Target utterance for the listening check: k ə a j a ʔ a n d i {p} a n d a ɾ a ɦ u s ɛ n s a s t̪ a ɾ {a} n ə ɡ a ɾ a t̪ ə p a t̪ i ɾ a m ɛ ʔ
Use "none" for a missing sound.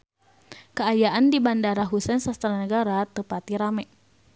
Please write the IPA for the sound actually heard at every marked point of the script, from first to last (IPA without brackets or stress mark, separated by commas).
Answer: b, a